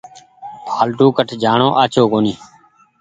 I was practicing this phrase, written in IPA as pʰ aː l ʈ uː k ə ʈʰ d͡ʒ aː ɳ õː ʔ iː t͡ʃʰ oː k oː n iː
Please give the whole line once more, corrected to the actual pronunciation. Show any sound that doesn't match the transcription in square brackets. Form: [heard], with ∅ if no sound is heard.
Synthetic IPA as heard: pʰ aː l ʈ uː k ə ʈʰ d͡ʒ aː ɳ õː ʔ [aː] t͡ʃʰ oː k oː n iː